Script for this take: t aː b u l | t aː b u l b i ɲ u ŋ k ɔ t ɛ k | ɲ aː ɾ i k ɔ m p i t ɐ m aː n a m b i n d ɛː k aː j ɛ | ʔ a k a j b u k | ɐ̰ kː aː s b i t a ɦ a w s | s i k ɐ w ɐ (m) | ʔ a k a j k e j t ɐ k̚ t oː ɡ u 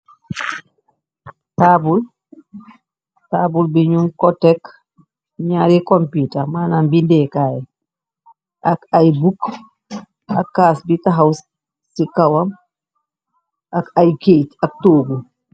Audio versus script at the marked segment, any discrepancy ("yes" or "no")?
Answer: no